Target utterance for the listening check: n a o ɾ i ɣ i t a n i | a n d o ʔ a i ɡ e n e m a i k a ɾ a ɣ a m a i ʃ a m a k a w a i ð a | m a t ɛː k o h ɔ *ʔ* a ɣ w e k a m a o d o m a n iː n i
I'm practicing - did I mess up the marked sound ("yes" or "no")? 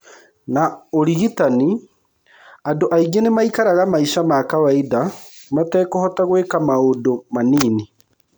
yes